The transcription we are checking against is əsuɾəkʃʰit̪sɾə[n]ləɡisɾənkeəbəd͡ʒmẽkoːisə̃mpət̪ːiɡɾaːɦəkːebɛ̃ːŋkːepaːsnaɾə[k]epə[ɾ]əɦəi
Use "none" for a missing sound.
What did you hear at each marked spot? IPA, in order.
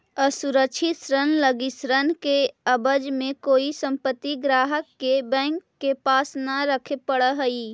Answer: n, kʰ, ɽ

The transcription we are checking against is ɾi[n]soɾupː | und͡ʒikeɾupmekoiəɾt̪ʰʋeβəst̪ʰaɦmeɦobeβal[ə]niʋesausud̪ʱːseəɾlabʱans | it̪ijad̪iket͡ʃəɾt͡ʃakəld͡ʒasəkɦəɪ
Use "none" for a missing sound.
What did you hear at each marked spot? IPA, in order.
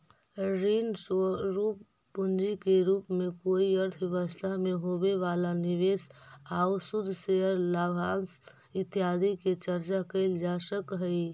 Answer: n, a

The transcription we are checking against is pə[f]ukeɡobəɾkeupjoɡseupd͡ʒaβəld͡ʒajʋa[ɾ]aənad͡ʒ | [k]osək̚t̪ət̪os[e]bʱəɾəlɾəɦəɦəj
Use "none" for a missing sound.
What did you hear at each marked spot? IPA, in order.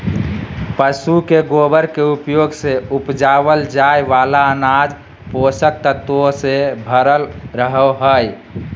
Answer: s, l, p, e

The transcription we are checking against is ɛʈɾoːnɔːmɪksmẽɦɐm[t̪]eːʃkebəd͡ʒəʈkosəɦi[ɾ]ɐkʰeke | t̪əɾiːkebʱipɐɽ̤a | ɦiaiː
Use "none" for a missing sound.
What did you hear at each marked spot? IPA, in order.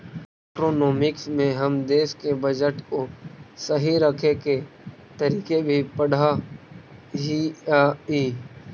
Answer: d̪, ɾ

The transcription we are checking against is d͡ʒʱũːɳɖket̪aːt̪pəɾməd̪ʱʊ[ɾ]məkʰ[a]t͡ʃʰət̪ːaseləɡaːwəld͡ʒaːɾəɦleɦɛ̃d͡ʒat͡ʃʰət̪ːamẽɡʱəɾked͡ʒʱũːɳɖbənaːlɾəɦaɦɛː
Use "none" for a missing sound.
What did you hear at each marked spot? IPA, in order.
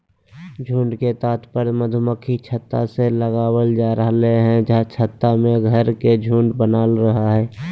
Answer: none, i

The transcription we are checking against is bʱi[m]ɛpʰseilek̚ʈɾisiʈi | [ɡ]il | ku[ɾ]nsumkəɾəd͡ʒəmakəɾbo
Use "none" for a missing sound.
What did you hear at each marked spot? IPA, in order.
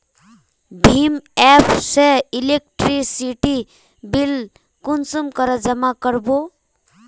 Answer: m, b, none

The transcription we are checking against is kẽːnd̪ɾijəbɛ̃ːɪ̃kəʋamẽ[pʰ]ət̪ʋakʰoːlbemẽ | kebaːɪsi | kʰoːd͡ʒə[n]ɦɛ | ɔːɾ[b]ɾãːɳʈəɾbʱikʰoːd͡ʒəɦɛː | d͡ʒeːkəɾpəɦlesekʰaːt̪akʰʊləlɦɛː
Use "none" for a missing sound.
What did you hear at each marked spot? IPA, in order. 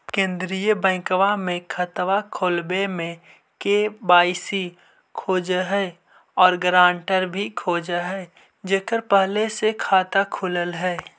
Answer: kʰ, none, ɡ

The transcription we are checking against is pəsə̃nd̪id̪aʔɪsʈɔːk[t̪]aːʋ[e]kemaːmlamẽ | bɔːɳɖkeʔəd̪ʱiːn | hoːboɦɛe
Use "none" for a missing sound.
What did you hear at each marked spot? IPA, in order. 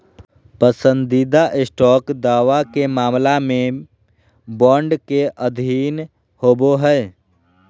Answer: d̪, a

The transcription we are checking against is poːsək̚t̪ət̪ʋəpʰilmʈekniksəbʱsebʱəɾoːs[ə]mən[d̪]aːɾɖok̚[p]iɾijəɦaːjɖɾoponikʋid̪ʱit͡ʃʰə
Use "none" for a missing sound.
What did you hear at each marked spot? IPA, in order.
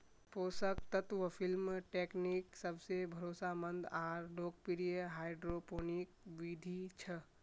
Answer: a, d̪, p

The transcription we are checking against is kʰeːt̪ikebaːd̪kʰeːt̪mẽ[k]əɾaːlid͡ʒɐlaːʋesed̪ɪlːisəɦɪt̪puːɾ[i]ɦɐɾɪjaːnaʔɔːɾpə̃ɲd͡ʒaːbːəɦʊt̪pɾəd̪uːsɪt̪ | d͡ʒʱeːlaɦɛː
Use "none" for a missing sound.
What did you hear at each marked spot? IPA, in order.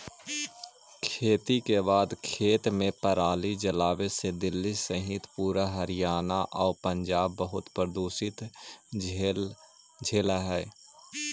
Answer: p, a

